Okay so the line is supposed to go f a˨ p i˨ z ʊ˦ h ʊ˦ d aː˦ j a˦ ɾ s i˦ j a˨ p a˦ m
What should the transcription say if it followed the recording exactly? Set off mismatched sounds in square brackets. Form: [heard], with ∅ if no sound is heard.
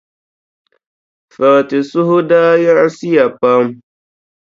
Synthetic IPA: f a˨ [t] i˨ [s] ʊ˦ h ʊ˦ d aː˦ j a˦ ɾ s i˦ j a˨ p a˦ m